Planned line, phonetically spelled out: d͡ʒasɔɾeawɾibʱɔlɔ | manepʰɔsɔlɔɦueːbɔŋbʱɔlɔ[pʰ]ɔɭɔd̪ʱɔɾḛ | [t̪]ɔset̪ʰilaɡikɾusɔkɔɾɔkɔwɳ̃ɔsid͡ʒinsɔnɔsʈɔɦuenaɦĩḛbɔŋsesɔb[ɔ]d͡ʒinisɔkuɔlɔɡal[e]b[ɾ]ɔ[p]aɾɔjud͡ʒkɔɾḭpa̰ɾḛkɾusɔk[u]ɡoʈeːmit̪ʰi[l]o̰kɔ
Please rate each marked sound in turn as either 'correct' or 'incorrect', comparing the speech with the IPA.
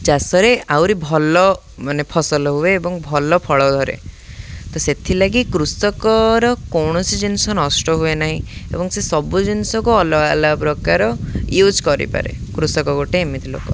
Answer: correct, correct, incorrect, incorrect, correct, incorrect, incorrect, correct

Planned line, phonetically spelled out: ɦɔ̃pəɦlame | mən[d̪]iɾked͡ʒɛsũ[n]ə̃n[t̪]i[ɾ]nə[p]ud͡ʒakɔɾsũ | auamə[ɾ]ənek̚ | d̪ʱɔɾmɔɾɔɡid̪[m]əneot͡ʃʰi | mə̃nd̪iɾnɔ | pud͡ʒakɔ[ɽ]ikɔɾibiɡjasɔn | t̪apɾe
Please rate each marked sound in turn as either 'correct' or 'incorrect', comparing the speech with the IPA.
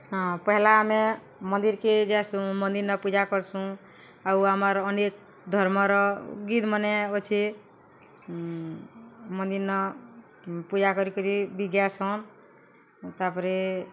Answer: correct, incorrect, incorrect, correct, correct, correct, correct, incorrect

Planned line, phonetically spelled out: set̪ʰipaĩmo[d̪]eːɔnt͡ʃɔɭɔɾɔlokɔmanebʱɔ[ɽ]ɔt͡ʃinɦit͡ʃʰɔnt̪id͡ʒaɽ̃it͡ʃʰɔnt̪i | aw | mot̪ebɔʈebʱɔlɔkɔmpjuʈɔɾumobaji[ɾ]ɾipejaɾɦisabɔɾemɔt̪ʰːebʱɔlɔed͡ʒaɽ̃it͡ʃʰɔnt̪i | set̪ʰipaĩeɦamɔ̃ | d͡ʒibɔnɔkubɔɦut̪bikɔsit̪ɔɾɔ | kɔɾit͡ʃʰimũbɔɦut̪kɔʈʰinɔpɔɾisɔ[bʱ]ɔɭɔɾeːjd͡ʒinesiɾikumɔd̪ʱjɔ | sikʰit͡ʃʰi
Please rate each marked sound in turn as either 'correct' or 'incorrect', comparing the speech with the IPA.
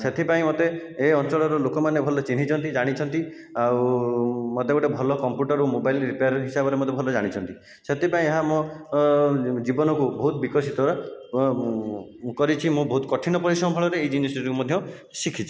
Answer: incorrect, incorrect, incorrect, correct

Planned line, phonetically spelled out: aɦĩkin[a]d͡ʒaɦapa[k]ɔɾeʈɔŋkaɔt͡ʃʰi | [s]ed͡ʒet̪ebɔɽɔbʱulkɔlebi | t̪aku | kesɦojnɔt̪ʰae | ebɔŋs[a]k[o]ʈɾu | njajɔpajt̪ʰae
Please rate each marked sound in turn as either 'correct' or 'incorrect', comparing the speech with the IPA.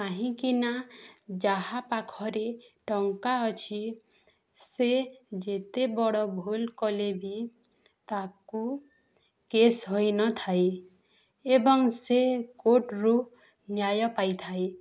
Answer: correct, incorrect, correct, incorrect, correct

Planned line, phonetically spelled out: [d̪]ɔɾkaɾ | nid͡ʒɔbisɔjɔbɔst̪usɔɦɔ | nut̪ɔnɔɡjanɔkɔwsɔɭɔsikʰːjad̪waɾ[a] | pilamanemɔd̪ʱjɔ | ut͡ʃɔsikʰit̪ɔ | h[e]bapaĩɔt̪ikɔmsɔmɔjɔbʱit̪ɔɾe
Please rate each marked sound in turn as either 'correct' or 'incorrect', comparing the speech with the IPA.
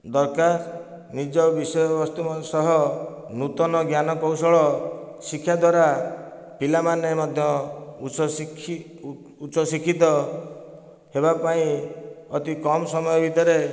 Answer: correct, correct, correct

